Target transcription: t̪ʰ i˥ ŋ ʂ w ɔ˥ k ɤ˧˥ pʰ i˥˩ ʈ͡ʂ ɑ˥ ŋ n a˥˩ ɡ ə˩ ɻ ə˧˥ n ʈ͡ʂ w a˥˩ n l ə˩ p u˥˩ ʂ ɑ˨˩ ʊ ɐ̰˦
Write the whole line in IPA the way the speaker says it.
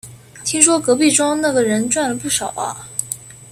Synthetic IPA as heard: t̪ʰ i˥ ŋ ʂ w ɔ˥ k ɤ˧˥ p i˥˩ ʈ͡ʂ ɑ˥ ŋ n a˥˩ ɡ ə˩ ɻ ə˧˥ n ʈ͡ʂ w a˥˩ n l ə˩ p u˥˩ ʂ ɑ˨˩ ʊ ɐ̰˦